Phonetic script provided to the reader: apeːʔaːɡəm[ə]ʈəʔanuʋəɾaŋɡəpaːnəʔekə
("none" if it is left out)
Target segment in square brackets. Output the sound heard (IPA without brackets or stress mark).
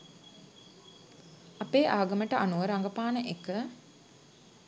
ə